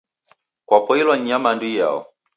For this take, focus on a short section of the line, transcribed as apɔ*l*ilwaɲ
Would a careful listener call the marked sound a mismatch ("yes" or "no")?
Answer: yes